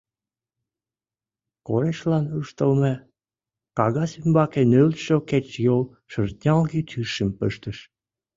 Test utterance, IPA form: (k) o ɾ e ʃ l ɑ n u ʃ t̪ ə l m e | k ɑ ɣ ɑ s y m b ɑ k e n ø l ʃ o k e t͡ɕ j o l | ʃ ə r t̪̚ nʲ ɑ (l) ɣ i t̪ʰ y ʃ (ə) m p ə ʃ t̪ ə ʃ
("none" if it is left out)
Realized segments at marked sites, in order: k, l, ə

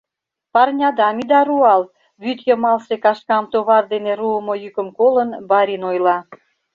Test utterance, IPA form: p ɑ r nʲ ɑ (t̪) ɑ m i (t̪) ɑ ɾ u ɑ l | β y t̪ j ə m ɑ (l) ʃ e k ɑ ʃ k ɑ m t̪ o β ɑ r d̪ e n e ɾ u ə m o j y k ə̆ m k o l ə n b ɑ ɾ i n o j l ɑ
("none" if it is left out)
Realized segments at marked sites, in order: d̪, d̪, l

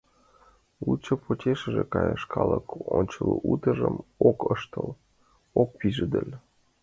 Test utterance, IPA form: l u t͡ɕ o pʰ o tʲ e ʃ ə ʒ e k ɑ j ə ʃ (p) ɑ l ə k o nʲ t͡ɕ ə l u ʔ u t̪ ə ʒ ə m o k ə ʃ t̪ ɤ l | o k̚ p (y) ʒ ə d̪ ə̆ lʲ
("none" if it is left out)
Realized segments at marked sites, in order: k, i

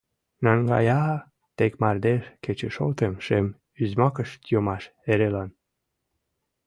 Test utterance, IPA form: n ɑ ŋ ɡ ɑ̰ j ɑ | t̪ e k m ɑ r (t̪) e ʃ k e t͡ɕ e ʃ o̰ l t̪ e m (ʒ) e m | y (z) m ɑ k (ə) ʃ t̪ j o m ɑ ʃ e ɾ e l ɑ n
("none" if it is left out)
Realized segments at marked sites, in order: d̪, ʃ, z, ə

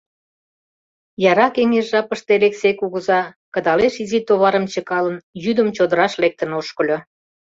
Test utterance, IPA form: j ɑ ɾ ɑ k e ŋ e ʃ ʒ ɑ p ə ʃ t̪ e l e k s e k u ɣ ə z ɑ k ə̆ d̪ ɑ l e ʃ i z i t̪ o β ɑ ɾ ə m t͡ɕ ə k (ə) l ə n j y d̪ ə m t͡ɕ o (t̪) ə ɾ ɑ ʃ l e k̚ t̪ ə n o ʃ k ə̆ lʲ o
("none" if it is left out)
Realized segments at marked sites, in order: ɑ, d̪

